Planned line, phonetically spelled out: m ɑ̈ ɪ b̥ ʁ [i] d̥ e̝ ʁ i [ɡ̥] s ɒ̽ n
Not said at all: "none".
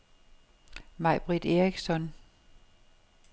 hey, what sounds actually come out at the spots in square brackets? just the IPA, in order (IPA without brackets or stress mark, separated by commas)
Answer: i, ɡ̥